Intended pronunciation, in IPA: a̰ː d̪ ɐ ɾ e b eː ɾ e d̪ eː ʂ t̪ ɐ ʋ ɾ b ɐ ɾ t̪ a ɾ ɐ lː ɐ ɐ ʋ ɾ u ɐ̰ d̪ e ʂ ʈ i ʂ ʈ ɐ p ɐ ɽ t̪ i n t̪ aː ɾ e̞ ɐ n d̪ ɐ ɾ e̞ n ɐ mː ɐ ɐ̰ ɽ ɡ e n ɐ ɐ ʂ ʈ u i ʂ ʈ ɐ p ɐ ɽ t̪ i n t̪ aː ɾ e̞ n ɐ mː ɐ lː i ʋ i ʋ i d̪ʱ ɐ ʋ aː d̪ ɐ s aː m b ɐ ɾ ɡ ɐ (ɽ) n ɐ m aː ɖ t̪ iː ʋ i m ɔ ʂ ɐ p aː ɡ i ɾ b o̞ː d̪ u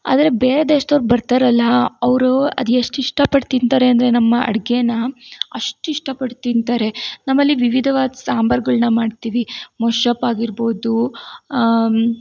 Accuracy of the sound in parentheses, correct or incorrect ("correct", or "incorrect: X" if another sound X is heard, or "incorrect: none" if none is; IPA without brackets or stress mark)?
incorrect: ɭ